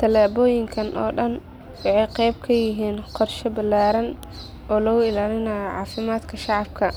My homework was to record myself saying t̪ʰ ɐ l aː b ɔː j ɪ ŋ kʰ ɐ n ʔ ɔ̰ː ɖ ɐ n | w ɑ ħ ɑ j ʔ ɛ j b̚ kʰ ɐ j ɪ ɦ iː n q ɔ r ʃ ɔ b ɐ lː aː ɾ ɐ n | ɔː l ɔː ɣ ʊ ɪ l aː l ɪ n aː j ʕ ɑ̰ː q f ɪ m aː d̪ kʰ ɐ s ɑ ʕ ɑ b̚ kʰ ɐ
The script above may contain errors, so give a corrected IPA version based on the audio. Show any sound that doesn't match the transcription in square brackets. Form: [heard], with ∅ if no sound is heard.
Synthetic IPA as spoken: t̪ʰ ɐ l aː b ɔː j ɪ ŋ kʰ ɐ n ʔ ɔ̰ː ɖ ɐ n | w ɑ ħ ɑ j [q] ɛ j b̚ kʰ ɐ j ɪ ɦ iː n q ɔ r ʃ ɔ b ɐ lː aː ɾ ɐ n | ɔː l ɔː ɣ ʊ ɪ l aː l ɪ n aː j ʕ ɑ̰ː [∅] f ɪ m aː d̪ kʰ ɐ [ʃ] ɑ ʕ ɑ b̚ kʰ ɐ